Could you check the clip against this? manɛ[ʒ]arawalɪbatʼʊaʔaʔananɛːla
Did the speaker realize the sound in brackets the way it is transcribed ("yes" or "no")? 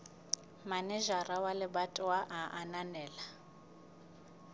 yes